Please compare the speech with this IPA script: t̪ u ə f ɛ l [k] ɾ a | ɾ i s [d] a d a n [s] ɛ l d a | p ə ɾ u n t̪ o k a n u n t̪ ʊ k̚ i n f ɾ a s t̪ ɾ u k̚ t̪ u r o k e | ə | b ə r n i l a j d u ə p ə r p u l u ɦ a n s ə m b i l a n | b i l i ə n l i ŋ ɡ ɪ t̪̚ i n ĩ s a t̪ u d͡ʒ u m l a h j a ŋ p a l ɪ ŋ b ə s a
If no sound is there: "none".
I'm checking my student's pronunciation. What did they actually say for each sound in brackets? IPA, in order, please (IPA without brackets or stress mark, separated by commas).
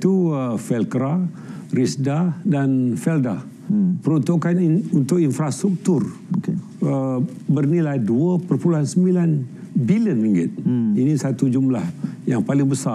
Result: k, d, f